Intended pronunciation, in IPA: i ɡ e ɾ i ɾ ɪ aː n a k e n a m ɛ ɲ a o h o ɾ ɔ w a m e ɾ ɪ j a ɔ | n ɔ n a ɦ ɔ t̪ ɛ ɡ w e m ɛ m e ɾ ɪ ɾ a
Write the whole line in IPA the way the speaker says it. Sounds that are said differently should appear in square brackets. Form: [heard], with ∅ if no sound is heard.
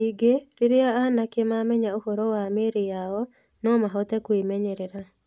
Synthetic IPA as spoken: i ɡ e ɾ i ɾ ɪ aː n a k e [m] a m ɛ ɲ a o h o ɾ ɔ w a m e ɾ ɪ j a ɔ | n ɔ [m] a ɦ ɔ t̪ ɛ [k] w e m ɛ [ɲ] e ɾ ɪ ɾ a

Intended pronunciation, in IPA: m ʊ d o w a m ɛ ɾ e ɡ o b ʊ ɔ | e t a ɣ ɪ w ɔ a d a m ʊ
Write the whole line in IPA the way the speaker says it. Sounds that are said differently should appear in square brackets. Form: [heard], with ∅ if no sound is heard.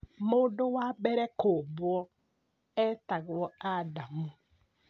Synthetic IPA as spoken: m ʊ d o w a [b] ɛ ɾ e [k] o b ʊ ɔ | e t a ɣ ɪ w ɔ a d a m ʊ

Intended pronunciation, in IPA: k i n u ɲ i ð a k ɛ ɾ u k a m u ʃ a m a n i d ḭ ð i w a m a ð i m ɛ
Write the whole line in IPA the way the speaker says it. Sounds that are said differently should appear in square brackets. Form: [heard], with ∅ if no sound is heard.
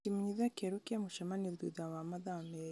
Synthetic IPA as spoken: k i [m] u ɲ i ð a k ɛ ɾ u k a m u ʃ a m a n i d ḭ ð [a] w a m a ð [a] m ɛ

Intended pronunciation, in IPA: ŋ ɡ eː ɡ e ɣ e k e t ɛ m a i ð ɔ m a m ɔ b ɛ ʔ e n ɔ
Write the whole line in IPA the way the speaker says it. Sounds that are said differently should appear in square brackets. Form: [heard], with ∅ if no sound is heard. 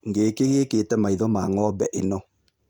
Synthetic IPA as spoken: ŋ ɡ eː [k] e ɣ e k e t ɛ m a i ð ɔ m a [ŋ] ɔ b ɛ ʔ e n ɔ

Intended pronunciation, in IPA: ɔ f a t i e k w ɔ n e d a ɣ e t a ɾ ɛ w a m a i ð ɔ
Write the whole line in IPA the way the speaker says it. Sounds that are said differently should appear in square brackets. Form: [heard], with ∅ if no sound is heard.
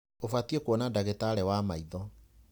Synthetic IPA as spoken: [o] f a t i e k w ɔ n [a] d a ɣ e t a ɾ ɛ w a m a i ð ɔ

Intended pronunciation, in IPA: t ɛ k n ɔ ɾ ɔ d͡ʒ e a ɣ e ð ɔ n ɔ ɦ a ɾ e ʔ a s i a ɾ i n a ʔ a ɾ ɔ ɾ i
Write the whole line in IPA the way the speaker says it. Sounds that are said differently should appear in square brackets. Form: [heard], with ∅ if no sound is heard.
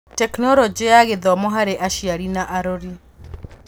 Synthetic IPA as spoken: t ɛ k n ɔ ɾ ɔ d͡ʒ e a ɣ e ð ɔ [m] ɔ ɦ a ɾ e ʔ a [ʃ] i a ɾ i n a ʔ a ɾ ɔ ɾ i

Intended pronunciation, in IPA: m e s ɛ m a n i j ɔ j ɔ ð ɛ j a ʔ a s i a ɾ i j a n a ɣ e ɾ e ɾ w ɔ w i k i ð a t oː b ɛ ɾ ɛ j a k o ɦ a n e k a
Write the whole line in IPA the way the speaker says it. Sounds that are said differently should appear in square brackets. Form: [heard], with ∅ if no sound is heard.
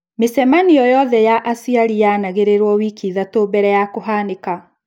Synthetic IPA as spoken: m e s ɛ m a n i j ɔ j ɔ ð ɛ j a ʔ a s i a ɾ i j a n a ɣ e ɾ e ɾ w ɔ w i k i ð a t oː b ɛ ɾ ɛ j a k o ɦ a n e k a

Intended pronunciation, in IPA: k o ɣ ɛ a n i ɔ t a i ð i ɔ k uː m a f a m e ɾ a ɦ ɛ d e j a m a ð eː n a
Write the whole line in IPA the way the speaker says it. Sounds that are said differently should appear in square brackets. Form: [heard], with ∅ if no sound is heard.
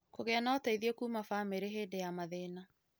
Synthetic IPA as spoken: k o ɣ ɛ a n [a] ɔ t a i ð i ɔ k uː m a f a m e ɾ [e] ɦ [e] d e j a m a ð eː n a

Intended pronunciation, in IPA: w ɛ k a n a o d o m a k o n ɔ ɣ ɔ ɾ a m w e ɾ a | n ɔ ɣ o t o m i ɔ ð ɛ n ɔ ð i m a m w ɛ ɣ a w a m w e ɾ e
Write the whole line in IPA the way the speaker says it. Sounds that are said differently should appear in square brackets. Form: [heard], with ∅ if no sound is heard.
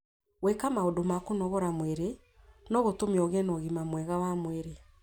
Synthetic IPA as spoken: w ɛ k a [m] a o d o m a k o n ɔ ɣ ɔ ɾ a m w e ɾ [e] | n ɔ ɣ o t o m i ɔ [ɣ] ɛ n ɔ [ɣ] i m a m w ɛ ɣ a w a m w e ɾ e

